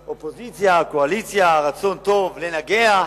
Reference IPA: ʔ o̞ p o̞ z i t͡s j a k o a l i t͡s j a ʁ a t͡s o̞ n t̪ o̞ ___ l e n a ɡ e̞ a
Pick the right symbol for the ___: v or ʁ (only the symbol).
v